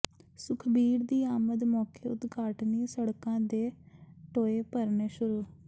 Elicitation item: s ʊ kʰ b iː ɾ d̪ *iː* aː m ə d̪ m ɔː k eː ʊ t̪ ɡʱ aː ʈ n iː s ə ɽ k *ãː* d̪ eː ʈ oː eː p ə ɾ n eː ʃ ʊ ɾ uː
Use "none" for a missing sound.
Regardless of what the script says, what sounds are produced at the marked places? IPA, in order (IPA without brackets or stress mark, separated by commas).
iː, ãː